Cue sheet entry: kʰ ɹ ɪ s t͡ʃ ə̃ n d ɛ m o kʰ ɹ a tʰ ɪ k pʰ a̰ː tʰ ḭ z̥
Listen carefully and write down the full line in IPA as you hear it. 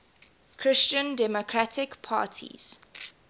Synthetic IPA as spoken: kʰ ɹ ɪ s t͡ʃ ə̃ n d ɛ m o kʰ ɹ a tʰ ɪ k pʰ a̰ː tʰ ḭ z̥